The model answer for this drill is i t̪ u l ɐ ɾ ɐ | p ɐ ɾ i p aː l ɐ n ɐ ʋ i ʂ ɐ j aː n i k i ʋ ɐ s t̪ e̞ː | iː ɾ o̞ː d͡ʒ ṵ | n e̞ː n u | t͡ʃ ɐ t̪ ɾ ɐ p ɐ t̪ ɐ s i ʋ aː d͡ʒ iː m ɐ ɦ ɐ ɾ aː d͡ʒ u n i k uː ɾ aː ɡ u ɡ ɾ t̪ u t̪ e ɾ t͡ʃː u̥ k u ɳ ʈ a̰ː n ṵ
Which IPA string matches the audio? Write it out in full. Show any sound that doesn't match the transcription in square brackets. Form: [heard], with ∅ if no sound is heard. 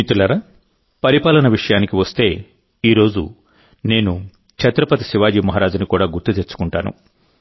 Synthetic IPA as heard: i t̪ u l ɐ ɾ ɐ | p ɐ ɾ i p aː l ɐ n ɐ ʋ i ʂ ɐ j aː n i k i ʋ ɐ s t̪ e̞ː | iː ɾ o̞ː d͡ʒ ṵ | n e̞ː n u | t͡ʃ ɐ t̪ ɾ ɐ p ɐ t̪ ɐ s i ʋ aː d͡ʒ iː m ɐ ɦ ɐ ɾ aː d͡ʒ u n i k uː [ɽ] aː ɡ u [∅] ɾ t̪ u t̪ e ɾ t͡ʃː u̥ k u ɳ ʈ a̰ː n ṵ